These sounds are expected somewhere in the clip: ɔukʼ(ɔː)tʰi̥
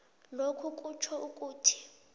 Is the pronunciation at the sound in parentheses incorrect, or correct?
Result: incorrect